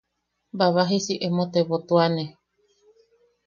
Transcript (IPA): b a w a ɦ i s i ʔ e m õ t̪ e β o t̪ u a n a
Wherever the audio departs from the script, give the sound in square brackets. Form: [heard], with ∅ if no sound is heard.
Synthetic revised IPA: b a [β] a ɦ i s i ʔ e m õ t̪ e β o t̪ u a n [e]